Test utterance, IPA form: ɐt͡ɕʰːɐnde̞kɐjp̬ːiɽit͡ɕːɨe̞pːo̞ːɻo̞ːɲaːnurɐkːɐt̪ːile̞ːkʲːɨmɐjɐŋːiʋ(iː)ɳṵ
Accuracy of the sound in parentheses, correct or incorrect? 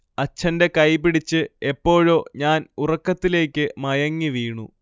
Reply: correct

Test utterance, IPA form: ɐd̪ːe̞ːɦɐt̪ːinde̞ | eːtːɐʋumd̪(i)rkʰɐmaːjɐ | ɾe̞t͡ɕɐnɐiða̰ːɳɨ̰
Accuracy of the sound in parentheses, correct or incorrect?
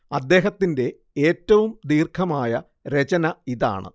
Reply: incorrect: iː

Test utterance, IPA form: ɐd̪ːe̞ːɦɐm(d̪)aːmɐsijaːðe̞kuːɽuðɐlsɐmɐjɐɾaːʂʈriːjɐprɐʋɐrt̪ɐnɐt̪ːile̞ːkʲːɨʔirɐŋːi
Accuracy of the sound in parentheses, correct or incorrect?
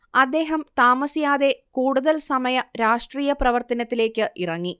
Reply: incorrect: t̪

